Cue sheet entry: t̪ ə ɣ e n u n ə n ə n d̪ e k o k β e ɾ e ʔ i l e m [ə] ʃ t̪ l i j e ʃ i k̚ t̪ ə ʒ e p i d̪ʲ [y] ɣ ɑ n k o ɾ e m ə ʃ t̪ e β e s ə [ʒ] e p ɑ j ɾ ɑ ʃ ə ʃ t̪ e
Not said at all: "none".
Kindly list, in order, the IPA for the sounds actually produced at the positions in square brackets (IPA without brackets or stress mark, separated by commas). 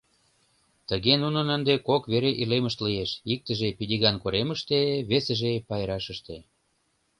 ə, i, ʒ